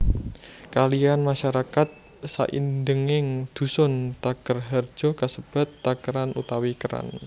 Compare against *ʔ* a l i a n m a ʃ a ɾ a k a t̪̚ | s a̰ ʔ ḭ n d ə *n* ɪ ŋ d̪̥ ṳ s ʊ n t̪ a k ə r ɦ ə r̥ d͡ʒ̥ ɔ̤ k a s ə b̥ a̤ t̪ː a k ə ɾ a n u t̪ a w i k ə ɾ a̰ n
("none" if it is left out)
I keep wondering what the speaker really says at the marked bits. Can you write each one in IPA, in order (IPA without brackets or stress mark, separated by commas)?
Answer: k, ŋ